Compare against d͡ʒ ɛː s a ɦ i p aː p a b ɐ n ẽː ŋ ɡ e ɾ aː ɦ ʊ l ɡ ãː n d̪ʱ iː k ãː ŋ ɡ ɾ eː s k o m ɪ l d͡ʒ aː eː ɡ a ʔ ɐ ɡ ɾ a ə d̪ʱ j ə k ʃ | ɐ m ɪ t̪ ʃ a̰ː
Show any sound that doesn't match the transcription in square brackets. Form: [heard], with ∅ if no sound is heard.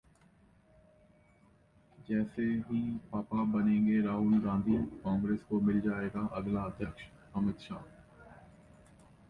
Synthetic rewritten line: d͡ʒ ɛː s [e] ɦ i p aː p a b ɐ n ẽː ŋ ɡ e ɾ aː ɦ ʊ l ɡ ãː n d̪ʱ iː k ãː ŋ ɡ ɾ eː s k o m ɪ l d͡ʒ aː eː ɡ a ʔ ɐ ɡ [l] a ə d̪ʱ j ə k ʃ | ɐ m ɪ t̪ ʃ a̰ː

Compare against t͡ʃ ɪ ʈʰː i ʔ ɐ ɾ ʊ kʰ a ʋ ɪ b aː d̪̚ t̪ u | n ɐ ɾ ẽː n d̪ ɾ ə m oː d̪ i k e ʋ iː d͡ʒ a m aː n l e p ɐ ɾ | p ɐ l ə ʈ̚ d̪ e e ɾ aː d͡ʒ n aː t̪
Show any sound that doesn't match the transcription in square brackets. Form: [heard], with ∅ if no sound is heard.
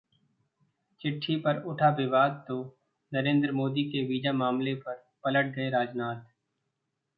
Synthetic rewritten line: t͡ʃ ɪ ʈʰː i [p] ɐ ɾ ʊ [ʈʰ] a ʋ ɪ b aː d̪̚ t̪ [o] | n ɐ ɾ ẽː n d̪ ɾ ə m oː d̪ i k e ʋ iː d͡ʒ a m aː [m] l e p ɐ ɾ | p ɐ l ə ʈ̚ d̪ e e ɾ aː d͡ʒ n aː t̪

